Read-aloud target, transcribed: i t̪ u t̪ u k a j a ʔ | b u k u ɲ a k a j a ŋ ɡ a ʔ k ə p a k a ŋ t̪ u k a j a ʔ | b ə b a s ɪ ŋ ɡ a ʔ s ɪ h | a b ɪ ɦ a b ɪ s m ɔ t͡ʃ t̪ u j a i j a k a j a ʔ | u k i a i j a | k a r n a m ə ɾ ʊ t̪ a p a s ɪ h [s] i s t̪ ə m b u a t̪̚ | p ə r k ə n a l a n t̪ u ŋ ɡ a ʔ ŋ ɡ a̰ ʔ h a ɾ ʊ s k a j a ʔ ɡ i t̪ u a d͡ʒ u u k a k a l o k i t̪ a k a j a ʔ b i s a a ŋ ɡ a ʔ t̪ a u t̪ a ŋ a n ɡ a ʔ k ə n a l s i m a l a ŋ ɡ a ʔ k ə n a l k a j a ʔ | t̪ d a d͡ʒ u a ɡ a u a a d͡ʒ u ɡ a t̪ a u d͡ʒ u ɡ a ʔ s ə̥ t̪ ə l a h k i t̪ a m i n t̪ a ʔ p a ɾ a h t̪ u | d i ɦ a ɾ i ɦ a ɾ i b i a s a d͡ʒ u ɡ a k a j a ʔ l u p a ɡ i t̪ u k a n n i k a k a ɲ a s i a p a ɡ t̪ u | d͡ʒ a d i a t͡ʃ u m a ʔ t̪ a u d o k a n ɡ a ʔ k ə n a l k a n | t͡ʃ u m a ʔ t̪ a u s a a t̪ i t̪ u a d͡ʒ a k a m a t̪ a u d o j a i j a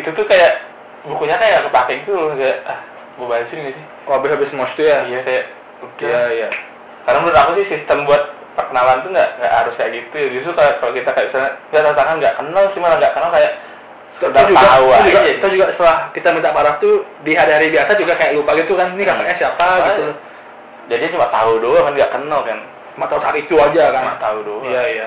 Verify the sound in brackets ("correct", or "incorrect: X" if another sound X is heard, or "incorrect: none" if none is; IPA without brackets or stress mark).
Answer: correct